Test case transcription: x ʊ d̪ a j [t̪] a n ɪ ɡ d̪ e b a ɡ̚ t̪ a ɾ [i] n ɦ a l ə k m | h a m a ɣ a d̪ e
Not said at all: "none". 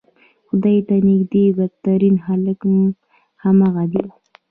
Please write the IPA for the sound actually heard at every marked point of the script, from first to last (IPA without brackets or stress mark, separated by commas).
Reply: t̪, i